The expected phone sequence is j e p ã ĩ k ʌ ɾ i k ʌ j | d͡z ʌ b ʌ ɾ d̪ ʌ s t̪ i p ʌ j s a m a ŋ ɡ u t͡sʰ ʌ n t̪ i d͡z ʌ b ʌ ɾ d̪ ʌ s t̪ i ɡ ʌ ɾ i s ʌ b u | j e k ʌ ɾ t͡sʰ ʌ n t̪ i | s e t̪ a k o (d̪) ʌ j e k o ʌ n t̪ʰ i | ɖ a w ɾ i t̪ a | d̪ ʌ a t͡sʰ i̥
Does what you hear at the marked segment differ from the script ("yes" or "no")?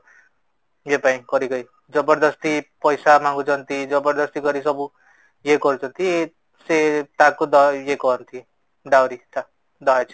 no